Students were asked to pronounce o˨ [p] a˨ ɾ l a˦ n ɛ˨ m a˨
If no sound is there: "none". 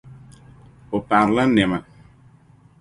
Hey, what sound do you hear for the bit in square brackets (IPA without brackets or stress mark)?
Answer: p